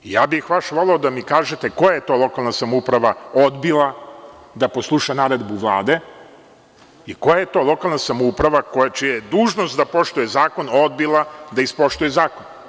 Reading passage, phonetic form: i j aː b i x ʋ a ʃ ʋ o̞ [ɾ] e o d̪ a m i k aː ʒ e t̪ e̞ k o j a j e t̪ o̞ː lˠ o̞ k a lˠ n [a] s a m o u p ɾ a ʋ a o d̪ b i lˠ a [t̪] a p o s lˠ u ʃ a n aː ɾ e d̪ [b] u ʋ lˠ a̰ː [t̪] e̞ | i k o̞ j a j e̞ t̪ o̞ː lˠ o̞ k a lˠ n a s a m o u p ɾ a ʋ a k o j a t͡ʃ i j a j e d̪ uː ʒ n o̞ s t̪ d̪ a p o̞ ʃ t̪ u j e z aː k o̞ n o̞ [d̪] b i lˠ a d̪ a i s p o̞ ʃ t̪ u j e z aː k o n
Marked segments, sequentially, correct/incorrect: incorrect: l, correct, incorrect: d̪, correct, incorrect: d̪, correct

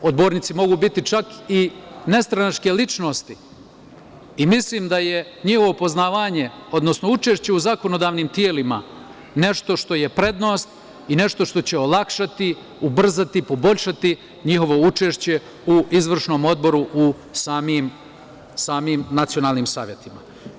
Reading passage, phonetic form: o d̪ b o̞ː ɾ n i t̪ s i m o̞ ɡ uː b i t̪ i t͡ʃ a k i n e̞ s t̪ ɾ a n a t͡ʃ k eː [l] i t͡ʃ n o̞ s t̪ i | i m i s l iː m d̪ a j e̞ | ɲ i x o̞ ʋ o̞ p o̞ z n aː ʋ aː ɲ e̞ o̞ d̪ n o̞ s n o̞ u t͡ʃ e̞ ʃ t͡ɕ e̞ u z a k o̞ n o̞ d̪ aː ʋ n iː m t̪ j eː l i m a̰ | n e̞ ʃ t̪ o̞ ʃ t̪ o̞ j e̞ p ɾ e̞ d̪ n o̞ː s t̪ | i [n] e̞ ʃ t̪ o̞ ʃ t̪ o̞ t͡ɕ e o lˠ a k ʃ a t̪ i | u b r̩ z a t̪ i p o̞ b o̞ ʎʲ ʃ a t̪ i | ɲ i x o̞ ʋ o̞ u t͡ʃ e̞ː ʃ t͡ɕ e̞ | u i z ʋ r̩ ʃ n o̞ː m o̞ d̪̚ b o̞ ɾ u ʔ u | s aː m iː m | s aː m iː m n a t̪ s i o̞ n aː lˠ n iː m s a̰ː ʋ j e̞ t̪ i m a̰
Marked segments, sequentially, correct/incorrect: correct, correct

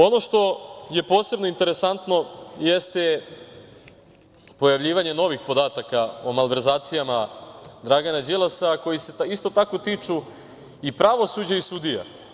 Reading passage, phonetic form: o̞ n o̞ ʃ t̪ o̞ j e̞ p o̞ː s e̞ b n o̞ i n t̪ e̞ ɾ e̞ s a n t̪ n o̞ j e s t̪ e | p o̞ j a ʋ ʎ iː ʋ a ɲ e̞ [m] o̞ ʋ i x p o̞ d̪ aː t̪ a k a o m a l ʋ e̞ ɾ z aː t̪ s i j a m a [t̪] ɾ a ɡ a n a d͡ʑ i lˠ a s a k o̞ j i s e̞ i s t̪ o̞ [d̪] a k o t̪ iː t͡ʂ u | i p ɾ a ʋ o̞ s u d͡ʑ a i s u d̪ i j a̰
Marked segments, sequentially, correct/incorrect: incorrect: n, incorrect: d̪, incorrect: t̪

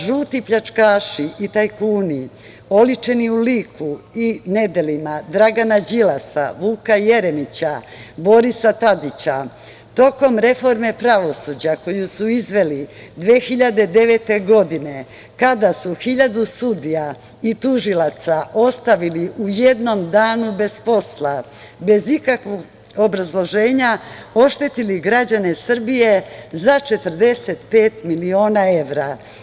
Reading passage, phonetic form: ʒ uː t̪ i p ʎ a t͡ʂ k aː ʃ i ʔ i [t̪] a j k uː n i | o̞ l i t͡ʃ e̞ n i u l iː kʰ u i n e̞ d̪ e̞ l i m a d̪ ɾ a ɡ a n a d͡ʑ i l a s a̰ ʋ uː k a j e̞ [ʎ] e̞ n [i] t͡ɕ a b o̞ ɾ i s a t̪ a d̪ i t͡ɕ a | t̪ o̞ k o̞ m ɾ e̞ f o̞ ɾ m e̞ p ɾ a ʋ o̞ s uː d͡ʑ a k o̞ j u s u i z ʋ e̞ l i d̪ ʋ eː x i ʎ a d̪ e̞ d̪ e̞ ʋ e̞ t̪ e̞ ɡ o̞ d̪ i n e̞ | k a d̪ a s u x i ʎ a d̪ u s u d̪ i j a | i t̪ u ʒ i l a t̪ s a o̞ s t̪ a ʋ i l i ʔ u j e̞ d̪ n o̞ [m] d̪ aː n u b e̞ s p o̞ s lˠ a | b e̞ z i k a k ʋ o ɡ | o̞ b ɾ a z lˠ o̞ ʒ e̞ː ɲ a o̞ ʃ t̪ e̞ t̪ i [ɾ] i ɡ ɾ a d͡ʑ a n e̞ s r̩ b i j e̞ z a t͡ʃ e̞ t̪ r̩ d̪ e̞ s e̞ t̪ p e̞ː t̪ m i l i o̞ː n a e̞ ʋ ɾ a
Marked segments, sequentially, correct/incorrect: correct, incorrect: ɾ, correct, correct, incorrect: l

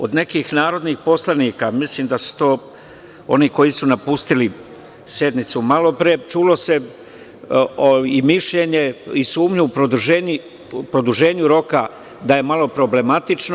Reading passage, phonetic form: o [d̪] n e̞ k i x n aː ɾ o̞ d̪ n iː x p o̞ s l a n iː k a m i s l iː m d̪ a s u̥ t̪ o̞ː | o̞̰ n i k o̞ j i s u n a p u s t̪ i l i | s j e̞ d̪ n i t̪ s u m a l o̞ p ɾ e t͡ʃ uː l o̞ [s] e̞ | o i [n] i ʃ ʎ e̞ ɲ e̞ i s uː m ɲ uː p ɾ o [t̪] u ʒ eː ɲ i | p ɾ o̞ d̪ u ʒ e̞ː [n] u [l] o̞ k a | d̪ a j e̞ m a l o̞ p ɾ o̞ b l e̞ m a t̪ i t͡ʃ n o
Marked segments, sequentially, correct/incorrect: correct, correct, incorrect: m, incorrect: d̪, incorrect: ɲ, incorrect: ɾ

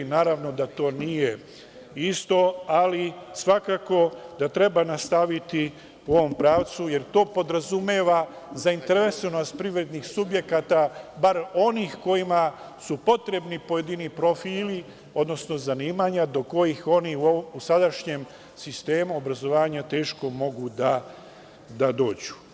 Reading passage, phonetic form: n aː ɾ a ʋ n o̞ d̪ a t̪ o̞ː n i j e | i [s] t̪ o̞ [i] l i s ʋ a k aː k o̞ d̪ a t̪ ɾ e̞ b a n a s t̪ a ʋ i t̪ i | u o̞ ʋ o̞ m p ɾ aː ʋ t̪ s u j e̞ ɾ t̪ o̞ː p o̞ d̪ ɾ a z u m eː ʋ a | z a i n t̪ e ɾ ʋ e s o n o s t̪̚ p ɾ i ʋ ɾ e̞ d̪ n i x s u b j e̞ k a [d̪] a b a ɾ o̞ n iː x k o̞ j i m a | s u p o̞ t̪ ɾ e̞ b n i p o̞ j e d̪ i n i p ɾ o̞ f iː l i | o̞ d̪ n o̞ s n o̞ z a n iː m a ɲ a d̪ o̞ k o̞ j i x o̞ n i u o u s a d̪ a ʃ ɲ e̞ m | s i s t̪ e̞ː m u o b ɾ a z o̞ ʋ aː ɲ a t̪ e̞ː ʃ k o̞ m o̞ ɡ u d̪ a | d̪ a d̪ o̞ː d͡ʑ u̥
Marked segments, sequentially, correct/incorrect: correct, incorrect: a, incorrect: t̪

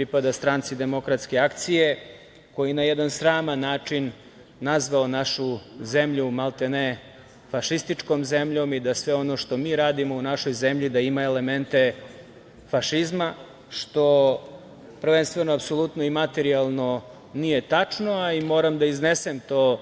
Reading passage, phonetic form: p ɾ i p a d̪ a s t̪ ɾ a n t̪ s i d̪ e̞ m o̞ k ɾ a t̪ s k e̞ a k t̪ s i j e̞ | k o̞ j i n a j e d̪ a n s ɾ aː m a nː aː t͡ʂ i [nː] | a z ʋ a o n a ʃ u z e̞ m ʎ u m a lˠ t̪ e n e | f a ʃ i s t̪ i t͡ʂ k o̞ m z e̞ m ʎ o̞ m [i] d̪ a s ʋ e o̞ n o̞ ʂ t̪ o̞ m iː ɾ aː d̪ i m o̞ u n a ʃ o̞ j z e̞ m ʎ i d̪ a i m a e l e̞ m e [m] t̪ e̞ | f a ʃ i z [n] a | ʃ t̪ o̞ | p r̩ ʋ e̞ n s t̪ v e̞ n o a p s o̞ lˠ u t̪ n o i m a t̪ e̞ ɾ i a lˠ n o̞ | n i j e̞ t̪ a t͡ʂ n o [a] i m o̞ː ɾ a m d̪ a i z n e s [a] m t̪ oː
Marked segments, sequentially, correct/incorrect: correct, correct, incorrect: n, incorrect: m, correct, incorrect: e

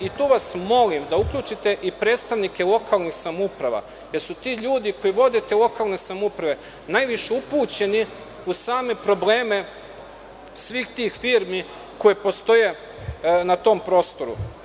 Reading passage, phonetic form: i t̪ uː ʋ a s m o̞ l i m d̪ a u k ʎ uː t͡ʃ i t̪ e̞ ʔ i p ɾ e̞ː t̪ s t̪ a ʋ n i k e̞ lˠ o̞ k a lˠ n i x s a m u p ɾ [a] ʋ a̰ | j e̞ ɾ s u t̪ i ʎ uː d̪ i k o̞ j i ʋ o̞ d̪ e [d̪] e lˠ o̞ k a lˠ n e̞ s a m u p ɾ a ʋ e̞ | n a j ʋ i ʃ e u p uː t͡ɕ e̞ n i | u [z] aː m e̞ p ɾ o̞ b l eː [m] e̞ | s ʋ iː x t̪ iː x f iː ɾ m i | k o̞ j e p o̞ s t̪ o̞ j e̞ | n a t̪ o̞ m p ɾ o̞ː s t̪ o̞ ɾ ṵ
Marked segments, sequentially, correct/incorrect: correct, incorrect: t̪, incorrect: s, correct

